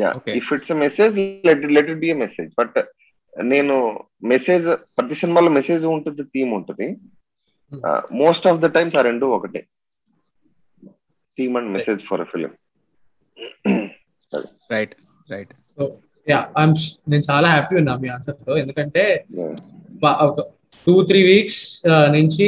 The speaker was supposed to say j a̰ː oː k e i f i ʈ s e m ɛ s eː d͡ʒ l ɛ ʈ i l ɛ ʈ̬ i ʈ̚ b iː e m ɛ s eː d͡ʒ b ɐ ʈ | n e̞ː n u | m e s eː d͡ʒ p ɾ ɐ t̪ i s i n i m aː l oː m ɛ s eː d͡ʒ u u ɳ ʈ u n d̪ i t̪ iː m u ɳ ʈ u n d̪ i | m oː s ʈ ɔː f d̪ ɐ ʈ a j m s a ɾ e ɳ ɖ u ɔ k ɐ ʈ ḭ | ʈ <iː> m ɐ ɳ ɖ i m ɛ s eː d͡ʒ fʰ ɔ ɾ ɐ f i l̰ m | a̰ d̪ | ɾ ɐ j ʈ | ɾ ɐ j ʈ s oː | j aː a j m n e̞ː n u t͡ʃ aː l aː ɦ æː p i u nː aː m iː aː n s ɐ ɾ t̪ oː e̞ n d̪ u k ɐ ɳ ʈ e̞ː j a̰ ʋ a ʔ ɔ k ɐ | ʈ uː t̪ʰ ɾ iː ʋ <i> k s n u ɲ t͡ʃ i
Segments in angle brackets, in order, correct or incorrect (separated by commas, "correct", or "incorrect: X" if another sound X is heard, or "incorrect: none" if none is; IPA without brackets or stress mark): correct, incorrect: iː